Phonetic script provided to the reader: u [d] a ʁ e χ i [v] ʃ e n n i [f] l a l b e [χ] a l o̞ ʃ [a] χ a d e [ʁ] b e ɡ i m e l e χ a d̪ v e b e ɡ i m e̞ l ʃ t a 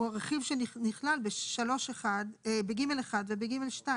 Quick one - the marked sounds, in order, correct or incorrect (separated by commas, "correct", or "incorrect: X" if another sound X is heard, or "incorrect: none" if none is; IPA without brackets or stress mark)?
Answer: incorrect: none, correct, incorrect: χ, incorrect: ʃ, incorrect: e, incorrect: none